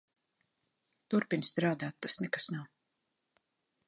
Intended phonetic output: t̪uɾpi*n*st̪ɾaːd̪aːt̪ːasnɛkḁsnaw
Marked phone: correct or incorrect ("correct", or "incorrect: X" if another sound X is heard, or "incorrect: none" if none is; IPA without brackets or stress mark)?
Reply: correct